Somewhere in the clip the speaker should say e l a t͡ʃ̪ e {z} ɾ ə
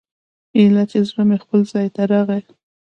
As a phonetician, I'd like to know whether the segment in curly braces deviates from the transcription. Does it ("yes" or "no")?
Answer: no